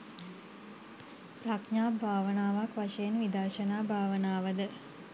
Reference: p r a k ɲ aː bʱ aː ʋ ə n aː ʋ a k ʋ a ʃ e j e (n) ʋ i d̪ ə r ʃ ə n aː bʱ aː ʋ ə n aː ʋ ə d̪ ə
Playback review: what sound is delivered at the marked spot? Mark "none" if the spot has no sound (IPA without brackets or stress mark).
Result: n